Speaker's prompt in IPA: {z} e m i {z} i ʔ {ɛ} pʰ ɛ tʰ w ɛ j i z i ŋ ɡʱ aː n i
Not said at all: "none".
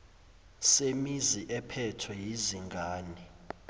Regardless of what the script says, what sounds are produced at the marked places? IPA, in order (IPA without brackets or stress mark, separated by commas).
s, z, ɛ